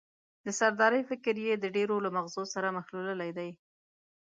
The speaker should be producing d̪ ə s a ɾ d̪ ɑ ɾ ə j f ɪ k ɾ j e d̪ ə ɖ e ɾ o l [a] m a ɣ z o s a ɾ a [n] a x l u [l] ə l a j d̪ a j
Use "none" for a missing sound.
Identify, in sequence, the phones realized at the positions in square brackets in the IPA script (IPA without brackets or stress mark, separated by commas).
a, m, l